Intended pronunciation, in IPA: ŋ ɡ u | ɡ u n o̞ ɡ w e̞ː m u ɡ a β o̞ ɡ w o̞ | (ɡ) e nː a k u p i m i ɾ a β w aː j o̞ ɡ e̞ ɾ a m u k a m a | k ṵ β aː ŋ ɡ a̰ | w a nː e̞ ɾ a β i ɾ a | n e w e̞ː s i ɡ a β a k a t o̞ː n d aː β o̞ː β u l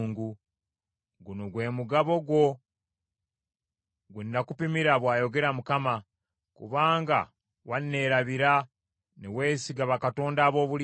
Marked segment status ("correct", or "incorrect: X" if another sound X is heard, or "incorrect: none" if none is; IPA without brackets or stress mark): correct